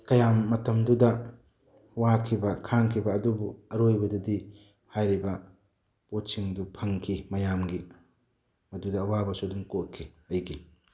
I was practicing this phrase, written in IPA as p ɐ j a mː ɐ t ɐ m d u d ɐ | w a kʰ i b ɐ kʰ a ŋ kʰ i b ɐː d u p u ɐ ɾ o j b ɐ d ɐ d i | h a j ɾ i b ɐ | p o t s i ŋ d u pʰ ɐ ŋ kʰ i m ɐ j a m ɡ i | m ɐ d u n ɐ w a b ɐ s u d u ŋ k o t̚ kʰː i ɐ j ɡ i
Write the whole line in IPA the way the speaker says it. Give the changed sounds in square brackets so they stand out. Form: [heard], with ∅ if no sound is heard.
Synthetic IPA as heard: [k] ɐ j a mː ɐ t ɐ m d u d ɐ | w a kʰ i b ɐ kʰ a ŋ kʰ i b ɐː d u [b] u ɐ ɾ o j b ɐ d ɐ d i | h a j ɾ i b ɐ | p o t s i ŋ d u pʰ ɐ ŋ kʰ i m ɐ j a m ɡ i | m ɐ d u [d] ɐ w a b ɐ s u d u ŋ k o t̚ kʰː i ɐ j ɡ i